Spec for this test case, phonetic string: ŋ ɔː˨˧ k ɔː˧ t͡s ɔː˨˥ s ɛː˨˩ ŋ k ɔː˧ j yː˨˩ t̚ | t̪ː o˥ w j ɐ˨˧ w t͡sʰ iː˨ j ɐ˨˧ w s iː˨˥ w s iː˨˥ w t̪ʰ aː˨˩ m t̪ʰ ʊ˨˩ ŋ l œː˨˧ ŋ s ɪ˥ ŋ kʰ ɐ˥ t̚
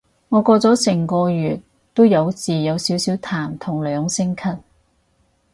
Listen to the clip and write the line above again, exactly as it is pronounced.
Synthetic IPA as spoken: ŋ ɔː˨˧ k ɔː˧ t͡s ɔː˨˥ s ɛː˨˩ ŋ k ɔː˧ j yː˨˩ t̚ | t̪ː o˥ w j ɐ˨˧ w t͡s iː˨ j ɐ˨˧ w s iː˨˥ w s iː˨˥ w t̪ʰ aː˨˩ m t̪ʰ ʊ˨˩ ŋ l œː˨˧ ŋ s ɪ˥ ŋ kʰ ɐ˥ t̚